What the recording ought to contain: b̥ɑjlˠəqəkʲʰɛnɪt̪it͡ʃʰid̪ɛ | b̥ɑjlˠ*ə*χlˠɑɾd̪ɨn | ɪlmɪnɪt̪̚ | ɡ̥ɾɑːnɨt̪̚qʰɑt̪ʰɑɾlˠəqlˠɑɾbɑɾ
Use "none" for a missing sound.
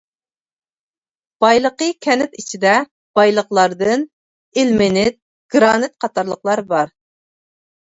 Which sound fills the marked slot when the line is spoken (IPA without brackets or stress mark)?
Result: ə